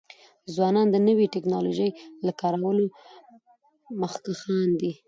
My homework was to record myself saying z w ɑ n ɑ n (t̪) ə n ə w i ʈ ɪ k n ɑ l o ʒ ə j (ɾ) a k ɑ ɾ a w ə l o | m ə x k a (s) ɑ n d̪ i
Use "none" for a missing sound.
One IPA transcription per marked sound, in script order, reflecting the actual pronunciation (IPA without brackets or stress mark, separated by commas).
d̪, l, x